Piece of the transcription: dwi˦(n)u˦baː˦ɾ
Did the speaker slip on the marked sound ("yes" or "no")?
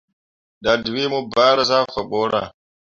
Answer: yes